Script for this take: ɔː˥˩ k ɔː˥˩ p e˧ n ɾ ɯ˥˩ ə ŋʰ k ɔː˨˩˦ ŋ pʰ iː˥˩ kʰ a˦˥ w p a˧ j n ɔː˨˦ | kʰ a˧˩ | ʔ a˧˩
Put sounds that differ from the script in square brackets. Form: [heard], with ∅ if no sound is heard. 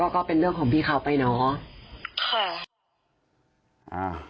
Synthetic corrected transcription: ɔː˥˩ k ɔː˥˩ p e˧ n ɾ ɯ˥˩ ə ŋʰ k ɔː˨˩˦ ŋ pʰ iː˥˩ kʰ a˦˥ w p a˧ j n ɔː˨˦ | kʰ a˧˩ | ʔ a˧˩